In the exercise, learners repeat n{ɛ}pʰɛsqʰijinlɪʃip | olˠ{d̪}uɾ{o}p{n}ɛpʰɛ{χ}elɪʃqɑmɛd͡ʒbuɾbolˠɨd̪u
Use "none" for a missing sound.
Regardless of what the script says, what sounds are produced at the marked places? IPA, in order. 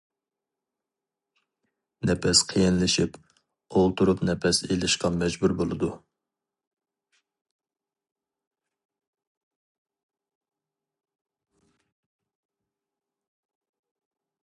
ɛ, t̪, u, n, s

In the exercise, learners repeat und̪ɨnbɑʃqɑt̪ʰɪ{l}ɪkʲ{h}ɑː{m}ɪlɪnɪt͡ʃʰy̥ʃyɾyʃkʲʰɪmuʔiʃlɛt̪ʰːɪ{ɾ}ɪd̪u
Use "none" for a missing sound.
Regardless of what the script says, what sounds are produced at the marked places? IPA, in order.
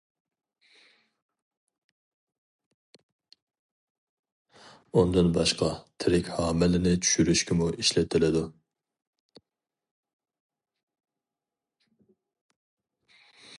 ɾ, h, m, l

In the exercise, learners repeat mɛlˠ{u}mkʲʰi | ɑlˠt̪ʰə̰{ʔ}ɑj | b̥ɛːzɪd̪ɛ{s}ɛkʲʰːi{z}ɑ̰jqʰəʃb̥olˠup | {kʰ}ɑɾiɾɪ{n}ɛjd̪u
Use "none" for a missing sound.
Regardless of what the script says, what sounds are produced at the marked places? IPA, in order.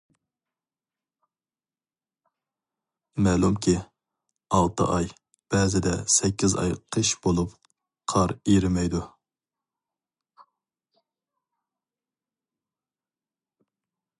u, ʔ, s, z, qʰ, m

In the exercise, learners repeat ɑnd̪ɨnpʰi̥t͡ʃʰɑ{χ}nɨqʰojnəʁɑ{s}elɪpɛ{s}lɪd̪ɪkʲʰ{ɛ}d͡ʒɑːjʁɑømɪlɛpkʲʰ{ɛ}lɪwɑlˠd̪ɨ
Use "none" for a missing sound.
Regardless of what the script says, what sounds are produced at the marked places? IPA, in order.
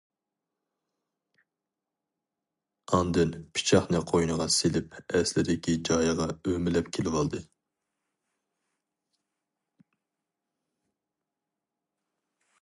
χ, s, s, i, e

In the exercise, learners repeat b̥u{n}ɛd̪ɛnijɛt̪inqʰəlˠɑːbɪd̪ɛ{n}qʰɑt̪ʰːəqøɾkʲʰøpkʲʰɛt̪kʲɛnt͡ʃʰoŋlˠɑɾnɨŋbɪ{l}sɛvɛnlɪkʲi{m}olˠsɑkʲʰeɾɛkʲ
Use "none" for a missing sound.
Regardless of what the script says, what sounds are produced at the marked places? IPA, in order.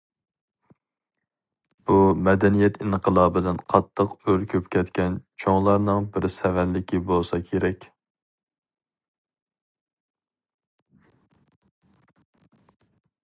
m, n, ɾ, b

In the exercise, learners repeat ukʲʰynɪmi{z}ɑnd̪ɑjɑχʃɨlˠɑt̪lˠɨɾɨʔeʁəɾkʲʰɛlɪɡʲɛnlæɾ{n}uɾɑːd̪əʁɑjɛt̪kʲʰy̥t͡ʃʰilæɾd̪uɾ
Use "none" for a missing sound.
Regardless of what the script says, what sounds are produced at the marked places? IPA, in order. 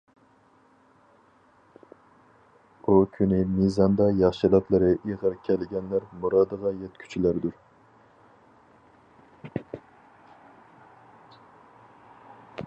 z, m

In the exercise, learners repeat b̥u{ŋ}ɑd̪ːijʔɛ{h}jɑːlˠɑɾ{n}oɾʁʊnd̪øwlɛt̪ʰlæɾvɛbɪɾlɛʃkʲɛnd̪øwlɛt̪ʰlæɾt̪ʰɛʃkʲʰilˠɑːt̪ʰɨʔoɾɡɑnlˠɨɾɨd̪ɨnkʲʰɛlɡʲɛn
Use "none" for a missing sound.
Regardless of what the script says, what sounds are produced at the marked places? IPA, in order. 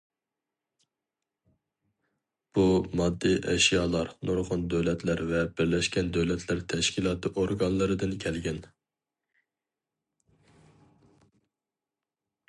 m, ʃ, n

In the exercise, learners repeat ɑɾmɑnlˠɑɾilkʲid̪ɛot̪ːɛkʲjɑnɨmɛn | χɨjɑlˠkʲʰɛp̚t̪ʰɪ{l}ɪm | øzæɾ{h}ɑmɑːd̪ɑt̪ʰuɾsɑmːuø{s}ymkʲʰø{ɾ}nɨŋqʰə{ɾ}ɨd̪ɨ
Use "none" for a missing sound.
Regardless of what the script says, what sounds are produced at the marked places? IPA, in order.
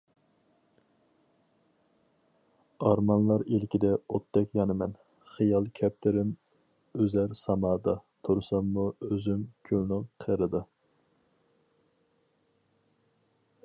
ɾ, s, z, l, ɾ

